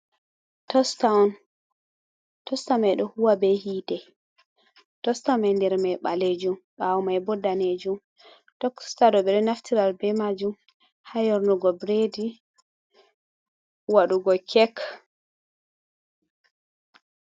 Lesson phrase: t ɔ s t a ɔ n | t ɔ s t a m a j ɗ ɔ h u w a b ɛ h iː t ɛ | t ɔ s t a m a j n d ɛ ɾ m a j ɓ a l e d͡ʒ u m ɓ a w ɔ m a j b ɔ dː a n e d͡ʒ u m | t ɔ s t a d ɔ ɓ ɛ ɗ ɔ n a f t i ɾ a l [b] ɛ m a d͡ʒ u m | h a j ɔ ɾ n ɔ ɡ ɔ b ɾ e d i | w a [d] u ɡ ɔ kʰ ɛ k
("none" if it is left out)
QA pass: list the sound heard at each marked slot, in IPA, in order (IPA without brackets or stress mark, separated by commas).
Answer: b, ɗ